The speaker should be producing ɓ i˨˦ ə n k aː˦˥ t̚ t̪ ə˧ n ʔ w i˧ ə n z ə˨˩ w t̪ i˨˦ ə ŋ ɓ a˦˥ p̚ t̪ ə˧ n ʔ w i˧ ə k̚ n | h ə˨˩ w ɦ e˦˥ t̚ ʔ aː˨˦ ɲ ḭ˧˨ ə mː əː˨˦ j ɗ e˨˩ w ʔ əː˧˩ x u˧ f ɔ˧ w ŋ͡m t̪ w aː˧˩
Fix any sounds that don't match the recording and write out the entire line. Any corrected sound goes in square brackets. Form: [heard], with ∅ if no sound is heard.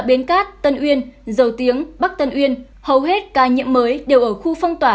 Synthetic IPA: ɓ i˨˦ ə n k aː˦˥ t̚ t̪ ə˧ n ʔ w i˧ ə n z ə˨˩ w t̪ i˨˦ ə ŋ ɓ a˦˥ [k̚] t̪ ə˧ n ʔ w i˧ ə [∅] n | h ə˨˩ w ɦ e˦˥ t̚ [k] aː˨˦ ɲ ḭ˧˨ ə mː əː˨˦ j ɗ e˨˩ w ʔ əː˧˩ x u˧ f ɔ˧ w ŋ͡m t̪ w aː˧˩